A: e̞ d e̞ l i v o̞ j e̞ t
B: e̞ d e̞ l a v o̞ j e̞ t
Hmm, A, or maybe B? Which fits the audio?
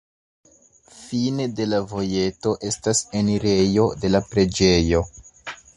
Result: B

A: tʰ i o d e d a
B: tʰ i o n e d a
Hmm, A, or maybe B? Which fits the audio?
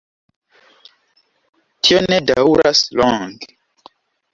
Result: B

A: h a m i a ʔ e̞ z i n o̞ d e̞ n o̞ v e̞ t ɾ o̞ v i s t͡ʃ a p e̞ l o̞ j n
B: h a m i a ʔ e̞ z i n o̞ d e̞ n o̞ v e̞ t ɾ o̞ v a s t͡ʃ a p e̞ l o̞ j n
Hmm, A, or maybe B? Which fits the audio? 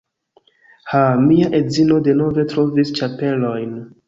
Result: A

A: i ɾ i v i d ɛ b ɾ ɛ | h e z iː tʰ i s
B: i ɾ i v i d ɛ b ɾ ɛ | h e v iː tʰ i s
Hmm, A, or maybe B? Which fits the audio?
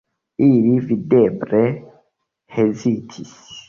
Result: A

